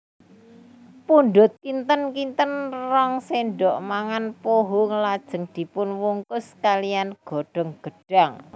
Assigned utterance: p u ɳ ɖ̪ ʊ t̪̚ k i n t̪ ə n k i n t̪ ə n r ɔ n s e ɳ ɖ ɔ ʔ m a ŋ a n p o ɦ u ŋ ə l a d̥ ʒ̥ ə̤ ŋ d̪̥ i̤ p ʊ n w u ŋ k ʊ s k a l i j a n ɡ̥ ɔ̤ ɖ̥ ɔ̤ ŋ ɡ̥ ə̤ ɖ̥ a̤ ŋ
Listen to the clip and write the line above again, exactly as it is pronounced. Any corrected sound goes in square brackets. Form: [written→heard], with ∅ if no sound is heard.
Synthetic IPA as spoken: p u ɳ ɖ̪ ʊ t̪̚ k i n t̪ ə n k i n t̪ ə n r ɔ [n→ŋ] s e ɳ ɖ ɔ ʔ m a ŋ a n p o ɦ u ŋ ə l a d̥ ʒ̥ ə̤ ŋ d̪̥ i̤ p ʊ n w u ŋ k ʊ s k a l i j a n ɡ̥ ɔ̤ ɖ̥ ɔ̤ ŋ ɡ̥ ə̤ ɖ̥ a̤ ŋ

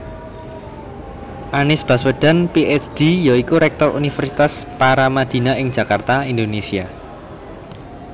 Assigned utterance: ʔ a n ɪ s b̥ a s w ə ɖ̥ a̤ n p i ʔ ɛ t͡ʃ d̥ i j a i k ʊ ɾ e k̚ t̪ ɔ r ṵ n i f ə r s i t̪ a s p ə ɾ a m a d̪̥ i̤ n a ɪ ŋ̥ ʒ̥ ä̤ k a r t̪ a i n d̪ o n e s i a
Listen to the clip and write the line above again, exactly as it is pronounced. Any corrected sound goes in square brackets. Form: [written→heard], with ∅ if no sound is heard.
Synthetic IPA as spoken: ʔ a n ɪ s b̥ a s w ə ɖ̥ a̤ n p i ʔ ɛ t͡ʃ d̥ i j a i k [ʊ→u] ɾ [e→ɛ] k̚ t̪ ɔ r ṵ n i f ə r s i t̪ a s p [ə→a] ɾ a m a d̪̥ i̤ n a ɪ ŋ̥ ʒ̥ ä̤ k a r t̪ a i n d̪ o n e s i a

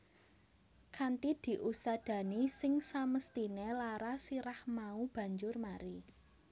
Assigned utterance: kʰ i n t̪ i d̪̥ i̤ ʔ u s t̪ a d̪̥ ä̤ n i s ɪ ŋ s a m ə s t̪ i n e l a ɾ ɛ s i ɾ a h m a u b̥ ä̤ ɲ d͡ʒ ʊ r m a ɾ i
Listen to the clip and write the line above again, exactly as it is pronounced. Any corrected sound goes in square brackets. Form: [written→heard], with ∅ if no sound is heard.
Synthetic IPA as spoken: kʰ [i→a] n t̪ i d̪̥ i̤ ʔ u s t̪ a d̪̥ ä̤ n i s ɪ ŋ s a m ə s t̪ i n e l a ɾ [ɛ→a] s i ɾ a h m a u b̥ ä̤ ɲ d͡ʒ ʊ r m a ɾ i

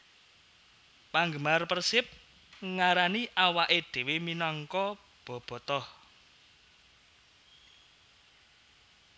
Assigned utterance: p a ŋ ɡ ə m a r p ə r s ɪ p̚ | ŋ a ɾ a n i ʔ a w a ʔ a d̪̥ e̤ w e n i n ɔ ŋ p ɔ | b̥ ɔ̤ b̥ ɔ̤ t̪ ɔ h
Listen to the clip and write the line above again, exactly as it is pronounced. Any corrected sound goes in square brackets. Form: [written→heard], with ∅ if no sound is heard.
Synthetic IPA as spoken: p a ŋ ɡ ə m a r p ə r s ɪ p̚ | ŋ a ɾ a n i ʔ a w a ʔ [a→e] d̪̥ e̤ w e [n→m] i n ɔ ŋ [p→k] ɔ | b̥ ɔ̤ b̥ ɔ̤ t̪ ɔ h

